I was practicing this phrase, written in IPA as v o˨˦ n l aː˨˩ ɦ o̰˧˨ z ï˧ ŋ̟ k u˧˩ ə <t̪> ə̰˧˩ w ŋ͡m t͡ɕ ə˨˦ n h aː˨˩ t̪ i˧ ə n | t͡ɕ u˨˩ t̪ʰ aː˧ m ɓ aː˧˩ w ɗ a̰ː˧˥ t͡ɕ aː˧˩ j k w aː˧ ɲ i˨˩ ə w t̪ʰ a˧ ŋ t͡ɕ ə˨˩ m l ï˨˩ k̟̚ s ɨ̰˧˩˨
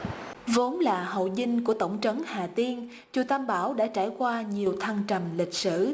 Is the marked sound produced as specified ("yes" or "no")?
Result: yes